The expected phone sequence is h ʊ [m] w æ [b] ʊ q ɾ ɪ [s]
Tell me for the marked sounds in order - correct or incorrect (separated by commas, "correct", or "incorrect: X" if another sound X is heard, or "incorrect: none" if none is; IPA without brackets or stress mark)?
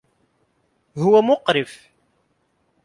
incorrect: none, incorrect: m, incorrect: f